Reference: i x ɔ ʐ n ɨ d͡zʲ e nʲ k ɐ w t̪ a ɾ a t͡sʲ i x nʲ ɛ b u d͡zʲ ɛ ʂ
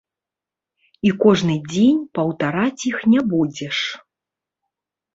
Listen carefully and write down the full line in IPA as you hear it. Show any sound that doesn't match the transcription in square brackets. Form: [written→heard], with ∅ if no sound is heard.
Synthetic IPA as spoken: i [x→k] ɔ ʐ n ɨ d͡zʲ e nʲ [k→p] ɐ w t̪ a ɾ a t͡sʲ i x nʲ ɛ b u d͡zʲ ɛ ʂ